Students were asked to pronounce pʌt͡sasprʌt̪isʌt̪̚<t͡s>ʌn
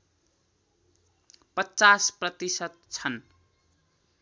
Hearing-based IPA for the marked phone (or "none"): t͡sʰ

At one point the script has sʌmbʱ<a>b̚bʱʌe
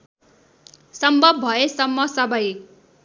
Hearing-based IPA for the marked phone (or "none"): ʌ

